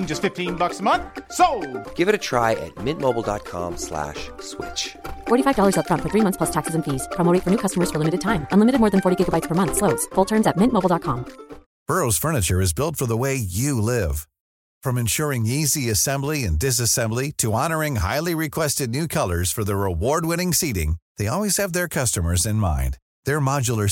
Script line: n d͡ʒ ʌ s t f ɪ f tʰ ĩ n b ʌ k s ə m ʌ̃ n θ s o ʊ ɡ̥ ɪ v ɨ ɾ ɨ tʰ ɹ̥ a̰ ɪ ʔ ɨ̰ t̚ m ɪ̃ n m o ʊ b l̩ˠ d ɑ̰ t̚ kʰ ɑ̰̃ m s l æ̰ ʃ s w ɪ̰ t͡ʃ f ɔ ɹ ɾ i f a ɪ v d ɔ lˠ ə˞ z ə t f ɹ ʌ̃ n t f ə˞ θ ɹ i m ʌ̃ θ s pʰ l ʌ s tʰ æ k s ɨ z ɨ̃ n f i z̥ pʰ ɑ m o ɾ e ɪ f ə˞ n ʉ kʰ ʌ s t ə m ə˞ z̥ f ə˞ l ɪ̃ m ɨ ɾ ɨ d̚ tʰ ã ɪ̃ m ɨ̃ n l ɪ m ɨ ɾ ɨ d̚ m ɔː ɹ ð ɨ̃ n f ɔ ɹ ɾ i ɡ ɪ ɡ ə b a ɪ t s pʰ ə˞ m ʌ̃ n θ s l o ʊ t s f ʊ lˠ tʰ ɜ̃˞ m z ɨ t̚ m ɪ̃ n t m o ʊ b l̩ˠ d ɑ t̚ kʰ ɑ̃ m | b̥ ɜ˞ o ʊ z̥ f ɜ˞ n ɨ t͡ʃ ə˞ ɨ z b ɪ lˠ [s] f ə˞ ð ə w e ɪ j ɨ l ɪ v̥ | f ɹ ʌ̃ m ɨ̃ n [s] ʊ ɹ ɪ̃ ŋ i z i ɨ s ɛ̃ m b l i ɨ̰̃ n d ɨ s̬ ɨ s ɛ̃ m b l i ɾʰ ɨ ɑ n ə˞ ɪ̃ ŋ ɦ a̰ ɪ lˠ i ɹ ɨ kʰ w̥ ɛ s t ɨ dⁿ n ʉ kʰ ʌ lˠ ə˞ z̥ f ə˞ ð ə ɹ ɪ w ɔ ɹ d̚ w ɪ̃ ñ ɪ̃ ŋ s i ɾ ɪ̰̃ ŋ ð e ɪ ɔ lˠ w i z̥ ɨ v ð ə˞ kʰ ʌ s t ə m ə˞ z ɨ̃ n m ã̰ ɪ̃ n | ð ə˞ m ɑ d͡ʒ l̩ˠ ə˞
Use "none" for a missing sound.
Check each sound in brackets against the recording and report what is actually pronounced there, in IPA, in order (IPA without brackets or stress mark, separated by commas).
t, ʃ